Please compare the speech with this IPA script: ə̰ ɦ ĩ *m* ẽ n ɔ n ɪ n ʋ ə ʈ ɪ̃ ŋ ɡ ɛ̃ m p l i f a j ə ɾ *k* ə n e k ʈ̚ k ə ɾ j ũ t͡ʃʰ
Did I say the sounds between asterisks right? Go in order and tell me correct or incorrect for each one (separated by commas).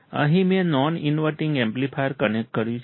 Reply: correct, correct